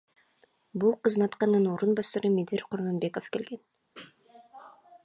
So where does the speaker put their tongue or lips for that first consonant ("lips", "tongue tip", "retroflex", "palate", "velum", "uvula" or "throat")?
lips